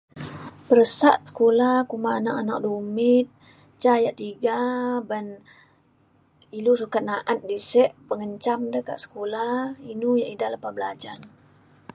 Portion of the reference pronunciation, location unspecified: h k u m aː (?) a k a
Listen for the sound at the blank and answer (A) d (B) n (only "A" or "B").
B